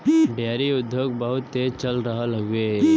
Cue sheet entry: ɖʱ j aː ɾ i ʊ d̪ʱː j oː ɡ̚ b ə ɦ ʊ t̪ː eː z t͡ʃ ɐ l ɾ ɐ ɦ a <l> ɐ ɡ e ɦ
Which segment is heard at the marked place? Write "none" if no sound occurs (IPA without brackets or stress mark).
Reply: l